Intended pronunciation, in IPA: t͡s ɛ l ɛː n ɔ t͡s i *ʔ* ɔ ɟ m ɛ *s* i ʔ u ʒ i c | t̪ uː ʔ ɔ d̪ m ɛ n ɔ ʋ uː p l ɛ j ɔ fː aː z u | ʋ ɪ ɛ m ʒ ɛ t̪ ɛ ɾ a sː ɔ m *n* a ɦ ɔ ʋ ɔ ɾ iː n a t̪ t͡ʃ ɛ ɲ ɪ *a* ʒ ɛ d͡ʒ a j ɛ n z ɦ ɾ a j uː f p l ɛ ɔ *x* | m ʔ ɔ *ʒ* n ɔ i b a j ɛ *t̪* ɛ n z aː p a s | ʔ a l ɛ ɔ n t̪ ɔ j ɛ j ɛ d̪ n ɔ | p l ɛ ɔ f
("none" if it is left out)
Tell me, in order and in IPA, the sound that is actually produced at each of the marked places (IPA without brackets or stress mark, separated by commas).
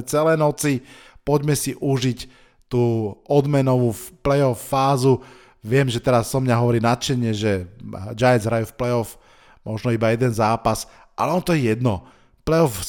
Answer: p, s, ɲ, ɛ, f, ʒ, d̪